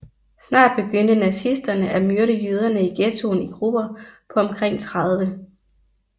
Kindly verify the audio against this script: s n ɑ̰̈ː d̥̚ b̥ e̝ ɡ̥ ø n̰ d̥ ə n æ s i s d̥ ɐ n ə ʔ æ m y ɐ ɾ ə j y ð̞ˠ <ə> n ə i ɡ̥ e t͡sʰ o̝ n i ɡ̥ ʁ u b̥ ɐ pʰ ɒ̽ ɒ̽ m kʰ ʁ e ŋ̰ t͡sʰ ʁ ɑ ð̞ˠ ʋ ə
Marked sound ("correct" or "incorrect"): incorrect